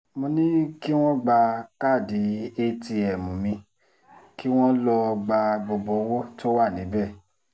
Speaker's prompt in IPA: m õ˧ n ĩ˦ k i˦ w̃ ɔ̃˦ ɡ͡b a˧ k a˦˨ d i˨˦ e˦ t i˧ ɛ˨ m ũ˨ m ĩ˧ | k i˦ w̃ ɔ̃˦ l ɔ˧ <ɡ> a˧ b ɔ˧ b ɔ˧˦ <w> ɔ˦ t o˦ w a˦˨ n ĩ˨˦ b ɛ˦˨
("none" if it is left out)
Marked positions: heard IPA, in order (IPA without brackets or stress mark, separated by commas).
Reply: ɡ͡b, w